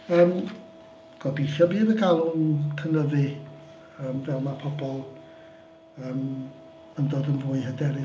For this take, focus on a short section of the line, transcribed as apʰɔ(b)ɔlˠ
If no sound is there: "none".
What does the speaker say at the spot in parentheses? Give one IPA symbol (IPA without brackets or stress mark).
b